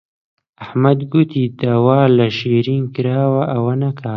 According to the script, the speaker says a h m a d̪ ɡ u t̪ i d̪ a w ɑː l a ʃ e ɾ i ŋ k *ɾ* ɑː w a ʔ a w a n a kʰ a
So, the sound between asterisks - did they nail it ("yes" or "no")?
yes